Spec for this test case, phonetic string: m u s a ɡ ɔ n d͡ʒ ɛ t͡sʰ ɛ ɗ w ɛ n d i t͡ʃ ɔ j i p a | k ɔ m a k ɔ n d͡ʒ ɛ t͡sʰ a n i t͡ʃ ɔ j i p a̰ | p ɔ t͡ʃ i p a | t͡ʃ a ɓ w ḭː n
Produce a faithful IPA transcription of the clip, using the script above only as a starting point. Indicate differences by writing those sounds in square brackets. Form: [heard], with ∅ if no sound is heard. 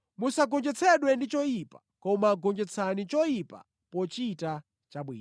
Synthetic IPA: m u s a ɡ ɔ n d͡ʒ ɛ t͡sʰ ɛ ɗ w ɛ n d i t͡ʃ ɔ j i p a | k ɔ m a [ɡ] ɔ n d͡ʒ ɛ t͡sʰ a n i t͡ʃ ɔ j i p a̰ | p ɔ t͡ʃ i [t] a | t͡ʃ a ɓ w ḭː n